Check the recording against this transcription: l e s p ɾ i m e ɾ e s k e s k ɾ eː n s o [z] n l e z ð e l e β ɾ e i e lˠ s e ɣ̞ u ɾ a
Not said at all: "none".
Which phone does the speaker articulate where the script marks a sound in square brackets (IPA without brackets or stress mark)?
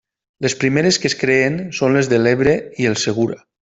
none